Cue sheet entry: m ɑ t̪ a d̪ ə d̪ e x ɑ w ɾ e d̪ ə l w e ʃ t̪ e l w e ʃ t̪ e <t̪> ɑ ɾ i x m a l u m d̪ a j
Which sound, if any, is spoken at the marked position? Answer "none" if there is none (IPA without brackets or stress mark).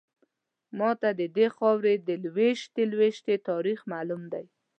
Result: t̪